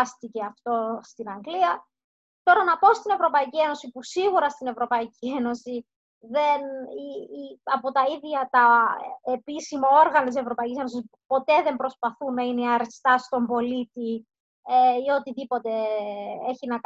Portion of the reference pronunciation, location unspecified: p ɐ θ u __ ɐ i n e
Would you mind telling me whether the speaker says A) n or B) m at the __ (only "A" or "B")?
A